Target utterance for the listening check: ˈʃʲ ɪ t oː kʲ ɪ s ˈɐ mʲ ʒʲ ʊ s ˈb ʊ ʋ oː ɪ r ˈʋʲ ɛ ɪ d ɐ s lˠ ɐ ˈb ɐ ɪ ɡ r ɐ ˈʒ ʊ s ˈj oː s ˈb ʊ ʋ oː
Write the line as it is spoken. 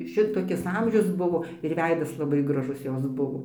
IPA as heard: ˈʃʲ ɪ t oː kʲ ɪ s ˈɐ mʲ ʒʲ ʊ s ˈb ʊ ʋ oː ɪ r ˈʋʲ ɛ ɪ d ɐ s lˠ ɐ ˈb ɐ ɪ ɡ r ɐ ˈʒ ʊ s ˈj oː s ˈb ʊ ʋ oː